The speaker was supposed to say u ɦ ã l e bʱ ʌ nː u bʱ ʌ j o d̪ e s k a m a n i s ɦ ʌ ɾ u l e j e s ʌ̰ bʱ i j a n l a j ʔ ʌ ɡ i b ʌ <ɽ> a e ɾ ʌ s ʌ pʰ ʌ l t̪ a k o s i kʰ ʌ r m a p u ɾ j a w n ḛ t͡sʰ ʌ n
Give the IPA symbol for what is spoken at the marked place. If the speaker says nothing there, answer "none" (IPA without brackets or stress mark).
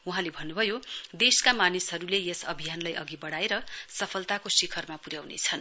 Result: ɽ